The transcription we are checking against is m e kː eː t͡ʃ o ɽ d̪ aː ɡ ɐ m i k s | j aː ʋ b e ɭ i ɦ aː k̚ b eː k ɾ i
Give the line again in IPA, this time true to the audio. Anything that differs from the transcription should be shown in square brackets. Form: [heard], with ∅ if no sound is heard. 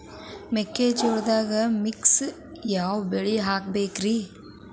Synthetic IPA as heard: m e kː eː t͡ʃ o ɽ d̪ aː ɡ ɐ m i k s | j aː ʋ b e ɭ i ɦ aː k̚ b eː k ɾ i